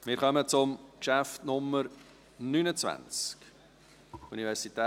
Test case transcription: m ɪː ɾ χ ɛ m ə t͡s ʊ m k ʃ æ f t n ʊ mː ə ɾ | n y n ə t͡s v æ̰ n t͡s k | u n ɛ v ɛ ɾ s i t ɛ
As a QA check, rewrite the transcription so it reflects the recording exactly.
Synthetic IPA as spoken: m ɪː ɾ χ œ m ə t͡s ʊ m k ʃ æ f t n ʊ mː ə ɾ | n y n ə t͡s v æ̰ n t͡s k | u n i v ɛ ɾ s i t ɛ